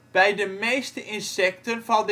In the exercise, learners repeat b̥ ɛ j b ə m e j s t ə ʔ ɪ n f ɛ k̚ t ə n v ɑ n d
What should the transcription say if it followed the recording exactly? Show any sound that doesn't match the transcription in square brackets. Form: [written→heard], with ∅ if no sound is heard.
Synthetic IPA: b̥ ɛ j [b→d] ə m e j s t ə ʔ ɪ n [f→s] ɛ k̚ t ə n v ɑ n d